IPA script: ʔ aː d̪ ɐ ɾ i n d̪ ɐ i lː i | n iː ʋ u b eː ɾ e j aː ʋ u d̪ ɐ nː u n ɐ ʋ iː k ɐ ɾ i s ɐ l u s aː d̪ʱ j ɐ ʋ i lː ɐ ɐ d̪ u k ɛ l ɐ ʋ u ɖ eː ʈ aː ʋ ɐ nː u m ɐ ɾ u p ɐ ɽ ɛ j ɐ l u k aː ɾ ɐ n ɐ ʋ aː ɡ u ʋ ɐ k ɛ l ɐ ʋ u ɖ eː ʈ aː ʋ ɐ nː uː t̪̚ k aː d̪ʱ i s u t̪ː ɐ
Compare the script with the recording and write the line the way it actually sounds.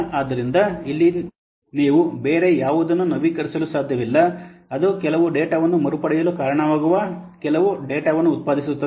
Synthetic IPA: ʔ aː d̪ ɐ ɾ i n d̪ ɐ i lː i | n iː ʋ u b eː ɾ e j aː ʋ u d̪ ɐ nː u n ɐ ʋ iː k ɐ ɾ i s ɐ l u s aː d̪ʱ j ɐ ʋ i lː ɐ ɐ d̪ u k ɛ l ɐ ʋ u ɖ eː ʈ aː ʋ ɐ nː u m ɐ ɾ u p ɐ ɽ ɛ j ɐ l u k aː ɾ ɐ ɳ ɐ ʋ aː ɡ u ʋ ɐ k ɛ l ɐ ʋ u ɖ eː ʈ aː ʋ ɐ nː uː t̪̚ p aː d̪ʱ i s u t̪ː ɐ